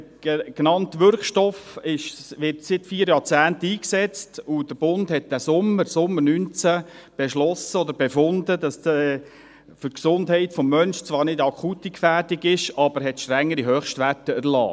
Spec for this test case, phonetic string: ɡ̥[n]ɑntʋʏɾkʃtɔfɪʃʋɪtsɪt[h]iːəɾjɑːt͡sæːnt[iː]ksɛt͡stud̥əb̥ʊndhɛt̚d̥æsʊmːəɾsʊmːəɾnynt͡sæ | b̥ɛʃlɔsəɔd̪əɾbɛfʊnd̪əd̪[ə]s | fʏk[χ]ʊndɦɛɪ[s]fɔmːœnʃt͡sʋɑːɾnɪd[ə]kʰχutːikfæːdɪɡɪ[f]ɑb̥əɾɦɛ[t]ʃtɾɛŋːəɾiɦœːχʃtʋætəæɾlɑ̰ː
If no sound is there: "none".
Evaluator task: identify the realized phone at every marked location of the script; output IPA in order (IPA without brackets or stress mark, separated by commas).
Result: n, f, iː, ɑ, s, t, ɑ, ʃ, t